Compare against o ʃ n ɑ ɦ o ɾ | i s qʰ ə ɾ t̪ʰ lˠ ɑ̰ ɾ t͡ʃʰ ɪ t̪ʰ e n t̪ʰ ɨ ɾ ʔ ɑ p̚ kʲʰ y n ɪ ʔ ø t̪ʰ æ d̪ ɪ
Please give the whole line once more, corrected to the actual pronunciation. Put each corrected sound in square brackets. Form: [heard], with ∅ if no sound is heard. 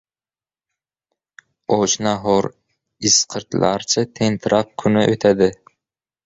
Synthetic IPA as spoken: o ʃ n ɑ ɦ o ɾ | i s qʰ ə ɾ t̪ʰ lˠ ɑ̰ ɾ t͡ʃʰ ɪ t̪ʰ e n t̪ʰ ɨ ɾ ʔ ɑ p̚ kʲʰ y n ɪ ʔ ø t̪ʰ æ d̪ ɪ